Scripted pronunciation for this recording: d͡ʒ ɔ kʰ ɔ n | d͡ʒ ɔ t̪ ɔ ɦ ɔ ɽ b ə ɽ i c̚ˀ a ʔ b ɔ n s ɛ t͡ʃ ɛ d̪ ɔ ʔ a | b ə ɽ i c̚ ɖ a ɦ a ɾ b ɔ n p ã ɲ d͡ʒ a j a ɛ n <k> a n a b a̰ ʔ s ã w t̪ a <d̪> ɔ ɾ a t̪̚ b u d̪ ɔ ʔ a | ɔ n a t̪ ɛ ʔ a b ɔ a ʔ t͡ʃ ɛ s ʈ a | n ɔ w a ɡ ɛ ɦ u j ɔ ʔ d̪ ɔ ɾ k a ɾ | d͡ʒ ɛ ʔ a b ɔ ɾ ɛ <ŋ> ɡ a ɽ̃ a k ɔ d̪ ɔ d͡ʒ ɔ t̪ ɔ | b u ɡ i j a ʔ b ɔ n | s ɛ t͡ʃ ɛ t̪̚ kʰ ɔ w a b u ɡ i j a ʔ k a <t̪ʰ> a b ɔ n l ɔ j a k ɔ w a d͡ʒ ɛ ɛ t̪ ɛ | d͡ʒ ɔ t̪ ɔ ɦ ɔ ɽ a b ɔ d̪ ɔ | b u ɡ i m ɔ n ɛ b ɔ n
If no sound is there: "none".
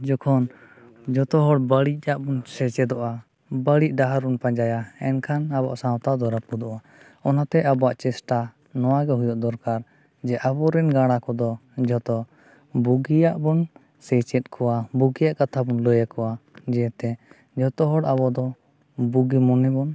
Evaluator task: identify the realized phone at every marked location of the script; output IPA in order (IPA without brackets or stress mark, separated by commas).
kʰ, d̪, n, t̪ʰ